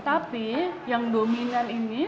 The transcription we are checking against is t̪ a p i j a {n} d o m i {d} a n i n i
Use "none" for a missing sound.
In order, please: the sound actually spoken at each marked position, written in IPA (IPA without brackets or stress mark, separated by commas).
ŋ, n